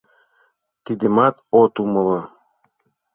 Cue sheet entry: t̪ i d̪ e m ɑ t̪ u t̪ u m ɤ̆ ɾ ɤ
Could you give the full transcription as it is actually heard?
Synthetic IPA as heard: t̪ i d̪ e m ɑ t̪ o t̪ u m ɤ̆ l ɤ